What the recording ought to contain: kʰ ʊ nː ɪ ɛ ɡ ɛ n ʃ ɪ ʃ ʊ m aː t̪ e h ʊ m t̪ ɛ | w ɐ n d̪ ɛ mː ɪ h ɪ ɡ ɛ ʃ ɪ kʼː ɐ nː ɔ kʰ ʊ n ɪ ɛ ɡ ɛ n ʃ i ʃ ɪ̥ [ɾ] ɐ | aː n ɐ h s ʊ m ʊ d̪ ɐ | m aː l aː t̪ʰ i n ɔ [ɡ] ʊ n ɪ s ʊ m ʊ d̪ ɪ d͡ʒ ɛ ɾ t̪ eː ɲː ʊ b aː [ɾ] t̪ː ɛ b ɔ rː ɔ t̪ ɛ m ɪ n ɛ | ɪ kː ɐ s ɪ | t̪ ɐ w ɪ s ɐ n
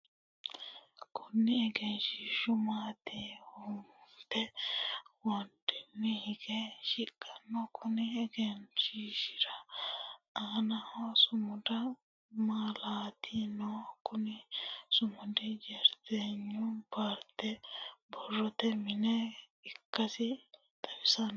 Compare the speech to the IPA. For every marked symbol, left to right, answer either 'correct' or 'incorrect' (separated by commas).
correct, incorrect, correct